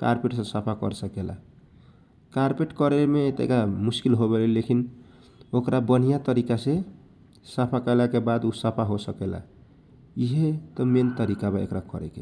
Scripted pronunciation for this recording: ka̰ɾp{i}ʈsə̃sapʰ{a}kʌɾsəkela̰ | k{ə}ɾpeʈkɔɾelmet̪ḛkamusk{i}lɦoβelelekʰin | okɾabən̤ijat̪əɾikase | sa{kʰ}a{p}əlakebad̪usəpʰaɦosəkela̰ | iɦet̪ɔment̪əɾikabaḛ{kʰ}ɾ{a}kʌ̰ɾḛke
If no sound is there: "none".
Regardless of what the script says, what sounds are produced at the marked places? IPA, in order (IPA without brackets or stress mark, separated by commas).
e, a, a, i, pʰ, k, k, a